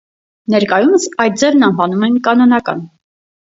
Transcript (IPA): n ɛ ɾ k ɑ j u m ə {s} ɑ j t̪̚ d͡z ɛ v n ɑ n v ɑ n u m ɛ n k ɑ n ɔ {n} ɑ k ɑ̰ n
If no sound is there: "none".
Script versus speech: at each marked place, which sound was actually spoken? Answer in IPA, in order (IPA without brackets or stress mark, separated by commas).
s, n